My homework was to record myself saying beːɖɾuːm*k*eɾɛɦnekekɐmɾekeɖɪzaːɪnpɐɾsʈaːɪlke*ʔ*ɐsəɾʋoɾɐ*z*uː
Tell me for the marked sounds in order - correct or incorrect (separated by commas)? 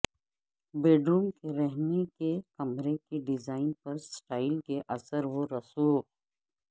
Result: correct, correct, incorrect